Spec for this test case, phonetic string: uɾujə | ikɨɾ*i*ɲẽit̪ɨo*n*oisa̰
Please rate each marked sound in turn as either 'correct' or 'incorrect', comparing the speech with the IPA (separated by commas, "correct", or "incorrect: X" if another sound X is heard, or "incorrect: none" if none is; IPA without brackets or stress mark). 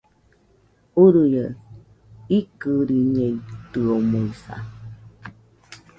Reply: correct, incorrect: m